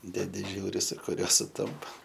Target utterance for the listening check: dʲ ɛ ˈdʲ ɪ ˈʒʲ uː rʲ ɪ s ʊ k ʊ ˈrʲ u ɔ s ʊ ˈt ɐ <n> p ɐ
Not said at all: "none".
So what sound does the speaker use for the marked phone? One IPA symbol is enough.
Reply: m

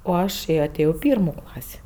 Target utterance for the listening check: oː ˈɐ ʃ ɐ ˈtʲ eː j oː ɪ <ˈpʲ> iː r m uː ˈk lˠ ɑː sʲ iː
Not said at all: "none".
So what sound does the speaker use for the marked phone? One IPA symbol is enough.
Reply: pʲ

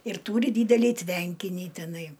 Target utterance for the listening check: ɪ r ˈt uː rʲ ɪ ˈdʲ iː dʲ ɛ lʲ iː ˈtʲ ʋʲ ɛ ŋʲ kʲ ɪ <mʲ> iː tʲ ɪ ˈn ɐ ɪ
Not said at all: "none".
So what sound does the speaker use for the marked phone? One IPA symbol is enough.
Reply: nʲ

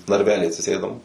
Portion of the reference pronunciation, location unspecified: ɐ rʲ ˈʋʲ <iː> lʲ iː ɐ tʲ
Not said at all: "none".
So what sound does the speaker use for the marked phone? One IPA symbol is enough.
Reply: æː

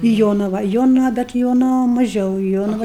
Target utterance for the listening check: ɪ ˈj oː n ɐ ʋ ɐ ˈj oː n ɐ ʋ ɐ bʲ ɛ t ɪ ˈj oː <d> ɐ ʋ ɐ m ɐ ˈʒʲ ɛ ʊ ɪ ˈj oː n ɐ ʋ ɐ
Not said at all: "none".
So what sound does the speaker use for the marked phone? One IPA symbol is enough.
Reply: n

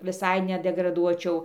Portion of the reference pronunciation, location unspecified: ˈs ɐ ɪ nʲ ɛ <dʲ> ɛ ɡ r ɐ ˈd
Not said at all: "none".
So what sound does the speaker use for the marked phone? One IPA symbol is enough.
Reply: dʲ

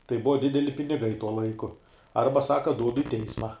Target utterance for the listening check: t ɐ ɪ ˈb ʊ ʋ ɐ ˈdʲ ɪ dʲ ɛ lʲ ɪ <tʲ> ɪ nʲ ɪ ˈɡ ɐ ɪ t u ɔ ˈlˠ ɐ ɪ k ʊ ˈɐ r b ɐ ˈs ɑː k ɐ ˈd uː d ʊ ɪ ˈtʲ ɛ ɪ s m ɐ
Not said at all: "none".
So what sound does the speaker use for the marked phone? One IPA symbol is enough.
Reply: pʲ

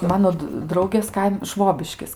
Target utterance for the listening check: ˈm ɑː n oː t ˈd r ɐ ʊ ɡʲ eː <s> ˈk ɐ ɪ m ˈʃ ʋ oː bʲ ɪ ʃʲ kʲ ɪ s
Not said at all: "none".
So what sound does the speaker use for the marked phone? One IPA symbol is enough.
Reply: s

